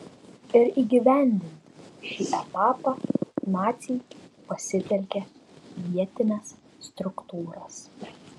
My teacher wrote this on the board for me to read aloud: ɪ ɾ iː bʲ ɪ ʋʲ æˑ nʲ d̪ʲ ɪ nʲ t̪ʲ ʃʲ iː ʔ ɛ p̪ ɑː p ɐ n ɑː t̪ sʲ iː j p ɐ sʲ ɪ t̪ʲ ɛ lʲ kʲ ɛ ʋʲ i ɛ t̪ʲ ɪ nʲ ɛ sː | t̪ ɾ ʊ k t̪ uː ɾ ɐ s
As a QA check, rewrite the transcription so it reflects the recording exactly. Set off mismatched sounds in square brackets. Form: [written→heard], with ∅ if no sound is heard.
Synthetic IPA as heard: ɪ ɾ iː [bʲ→ɡʲ] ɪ ʋʲ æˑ nʲ d̪ʲ ɪ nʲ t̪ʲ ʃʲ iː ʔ ɛ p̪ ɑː p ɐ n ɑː t̪ sʲ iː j p ɐ sʲ ɪ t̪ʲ ɛ lʲ kʲ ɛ ʋʲ i ɛ t̪ʲ ɪ nʲ ɛ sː | t̪ ɾ ʊ k t̪ uː ɾ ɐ s